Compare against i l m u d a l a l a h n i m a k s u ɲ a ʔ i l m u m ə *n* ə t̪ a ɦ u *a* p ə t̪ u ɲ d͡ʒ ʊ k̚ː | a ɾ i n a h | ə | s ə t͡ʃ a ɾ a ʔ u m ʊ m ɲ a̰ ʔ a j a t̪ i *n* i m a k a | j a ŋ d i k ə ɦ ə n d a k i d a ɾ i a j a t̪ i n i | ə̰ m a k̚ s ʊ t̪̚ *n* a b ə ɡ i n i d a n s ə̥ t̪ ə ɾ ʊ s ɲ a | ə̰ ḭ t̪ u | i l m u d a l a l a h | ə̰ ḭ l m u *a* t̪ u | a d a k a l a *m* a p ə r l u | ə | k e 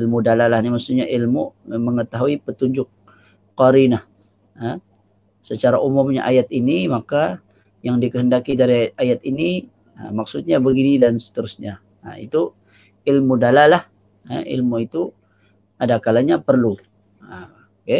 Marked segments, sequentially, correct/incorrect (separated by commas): incorrect, incorrect, correct, incorrect, incorrect, incorrect